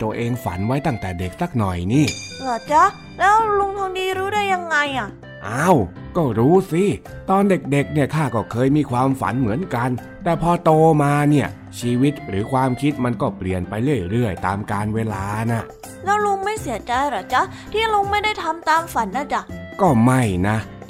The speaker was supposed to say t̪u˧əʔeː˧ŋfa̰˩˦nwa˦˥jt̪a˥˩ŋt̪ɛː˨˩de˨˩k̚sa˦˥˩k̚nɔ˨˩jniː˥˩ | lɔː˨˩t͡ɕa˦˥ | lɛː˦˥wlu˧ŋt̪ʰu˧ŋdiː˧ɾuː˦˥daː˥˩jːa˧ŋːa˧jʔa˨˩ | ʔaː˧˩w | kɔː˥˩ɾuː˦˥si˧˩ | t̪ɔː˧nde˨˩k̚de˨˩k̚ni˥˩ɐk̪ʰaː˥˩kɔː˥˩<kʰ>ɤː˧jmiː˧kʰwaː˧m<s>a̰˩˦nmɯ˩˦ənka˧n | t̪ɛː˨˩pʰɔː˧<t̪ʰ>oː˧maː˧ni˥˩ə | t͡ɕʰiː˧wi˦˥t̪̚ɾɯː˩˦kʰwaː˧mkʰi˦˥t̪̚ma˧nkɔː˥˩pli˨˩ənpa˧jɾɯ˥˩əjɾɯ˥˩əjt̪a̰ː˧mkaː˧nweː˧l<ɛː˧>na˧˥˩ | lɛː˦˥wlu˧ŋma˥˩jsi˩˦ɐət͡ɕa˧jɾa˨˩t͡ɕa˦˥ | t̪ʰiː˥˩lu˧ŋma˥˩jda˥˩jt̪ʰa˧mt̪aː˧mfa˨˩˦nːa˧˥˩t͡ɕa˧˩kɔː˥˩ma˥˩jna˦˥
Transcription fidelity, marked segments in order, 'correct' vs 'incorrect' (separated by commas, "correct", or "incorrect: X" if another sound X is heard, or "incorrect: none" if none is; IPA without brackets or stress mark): correct, incorrect: f, incorrect: t̪, incorrect: aː˧